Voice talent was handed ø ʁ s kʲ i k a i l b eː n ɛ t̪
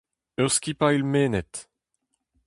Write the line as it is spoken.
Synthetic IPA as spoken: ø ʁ s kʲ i p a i l m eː n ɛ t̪